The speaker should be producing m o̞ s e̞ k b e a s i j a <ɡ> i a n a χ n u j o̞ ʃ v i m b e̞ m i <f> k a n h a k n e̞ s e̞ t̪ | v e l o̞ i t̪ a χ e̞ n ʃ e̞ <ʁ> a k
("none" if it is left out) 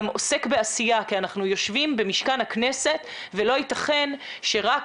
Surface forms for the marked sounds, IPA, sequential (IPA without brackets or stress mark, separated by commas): k, ʃ, ʁ